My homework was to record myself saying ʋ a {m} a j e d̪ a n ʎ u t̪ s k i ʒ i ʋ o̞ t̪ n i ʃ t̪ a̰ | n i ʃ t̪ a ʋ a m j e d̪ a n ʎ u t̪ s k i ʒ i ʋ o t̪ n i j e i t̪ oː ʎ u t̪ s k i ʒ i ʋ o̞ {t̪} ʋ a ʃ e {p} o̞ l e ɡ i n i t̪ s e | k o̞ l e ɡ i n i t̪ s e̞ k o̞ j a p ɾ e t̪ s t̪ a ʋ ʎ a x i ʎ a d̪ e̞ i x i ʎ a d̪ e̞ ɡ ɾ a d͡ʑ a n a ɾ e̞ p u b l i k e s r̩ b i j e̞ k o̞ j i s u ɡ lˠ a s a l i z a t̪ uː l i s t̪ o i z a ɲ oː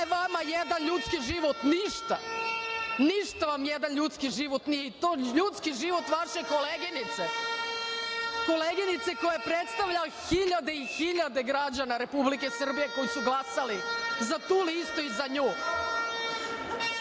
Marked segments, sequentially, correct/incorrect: correct, correct, incorrect

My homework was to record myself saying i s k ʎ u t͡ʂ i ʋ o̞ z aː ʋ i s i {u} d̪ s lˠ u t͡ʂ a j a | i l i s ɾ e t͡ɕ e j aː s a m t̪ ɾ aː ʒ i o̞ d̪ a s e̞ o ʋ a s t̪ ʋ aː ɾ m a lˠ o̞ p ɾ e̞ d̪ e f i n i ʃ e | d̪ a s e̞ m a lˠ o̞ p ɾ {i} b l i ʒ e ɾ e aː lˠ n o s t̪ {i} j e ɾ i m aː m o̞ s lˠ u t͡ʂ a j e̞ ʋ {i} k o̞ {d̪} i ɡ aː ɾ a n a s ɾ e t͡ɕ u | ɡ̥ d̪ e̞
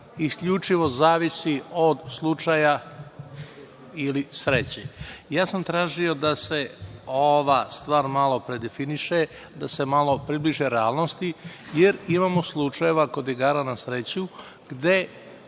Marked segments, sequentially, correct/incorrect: incorrect, correct, correct, incorrect, correct

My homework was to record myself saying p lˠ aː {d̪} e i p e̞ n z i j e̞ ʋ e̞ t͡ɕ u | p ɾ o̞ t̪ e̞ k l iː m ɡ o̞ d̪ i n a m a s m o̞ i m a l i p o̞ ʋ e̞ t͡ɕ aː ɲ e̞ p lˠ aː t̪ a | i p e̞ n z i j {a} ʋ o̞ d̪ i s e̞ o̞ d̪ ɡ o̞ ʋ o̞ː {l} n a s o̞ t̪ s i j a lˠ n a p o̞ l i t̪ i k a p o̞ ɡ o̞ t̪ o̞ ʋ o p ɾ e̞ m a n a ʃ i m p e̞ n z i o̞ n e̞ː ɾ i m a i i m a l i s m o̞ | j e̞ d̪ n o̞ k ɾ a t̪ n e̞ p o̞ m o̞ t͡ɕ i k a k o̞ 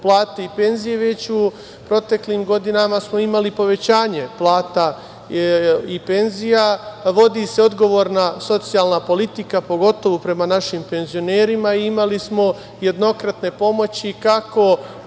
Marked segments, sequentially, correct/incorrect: incorrect, correct, incorrect

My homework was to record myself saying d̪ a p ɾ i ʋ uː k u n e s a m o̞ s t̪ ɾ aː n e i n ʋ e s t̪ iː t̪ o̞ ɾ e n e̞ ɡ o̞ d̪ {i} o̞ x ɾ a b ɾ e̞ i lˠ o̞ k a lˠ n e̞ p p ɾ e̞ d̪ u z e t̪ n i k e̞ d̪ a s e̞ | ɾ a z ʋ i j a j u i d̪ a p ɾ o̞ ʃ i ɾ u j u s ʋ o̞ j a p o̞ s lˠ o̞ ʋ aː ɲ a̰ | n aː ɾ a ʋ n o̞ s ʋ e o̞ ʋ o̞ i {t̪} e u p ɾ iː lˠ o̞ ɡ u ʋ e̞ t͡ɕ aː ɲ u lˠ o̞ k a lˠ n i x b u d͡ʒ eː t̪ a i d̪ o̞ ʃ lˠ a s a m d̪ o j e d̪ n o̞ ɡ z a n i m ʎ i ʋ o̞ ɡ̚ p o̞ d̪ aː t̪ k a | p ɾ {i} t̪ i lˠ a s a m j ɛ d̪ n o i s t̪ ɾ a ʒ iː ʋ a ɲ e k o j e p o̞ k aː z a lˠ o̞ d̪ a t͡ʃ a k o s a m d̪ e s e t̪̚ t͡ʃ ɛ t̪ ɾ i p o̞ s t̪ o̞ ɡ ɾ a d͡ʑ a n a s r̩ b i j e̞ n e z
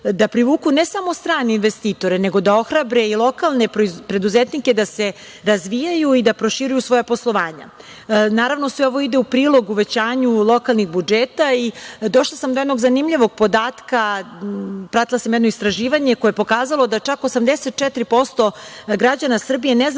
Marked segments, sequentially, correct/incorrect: incorrect, incorrect, incorrect

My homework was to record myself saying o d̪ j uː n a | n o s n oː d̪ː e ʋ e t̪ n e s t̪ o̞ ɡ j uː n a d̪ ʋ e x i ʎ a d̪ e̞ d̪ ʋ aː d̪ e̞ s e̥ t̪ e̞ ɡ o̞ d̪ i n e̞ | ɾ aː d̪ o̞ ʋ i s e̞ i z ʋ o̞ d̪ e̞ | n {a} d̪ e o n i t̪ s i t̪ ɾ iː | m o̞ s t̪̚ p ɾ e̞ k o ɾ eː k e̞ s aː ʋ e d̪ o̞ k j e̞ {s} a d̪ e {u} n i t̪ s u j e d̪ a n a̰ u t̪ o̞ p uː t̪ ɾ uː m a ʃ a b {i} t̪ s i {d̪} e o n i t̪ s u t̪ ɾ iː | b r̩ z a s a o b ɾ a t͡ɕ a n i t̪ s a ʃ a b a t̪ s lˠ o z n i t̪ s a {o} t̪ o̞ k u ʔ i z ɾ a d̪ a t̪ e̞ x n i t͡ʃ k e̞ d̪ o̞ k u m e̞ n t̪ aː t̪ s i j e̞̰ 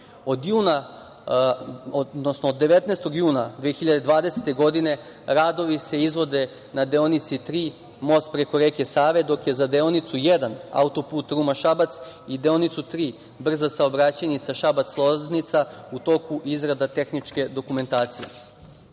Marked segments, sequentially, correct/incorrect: correct, incorrect, incorrect, incorrect, correct, incorrect

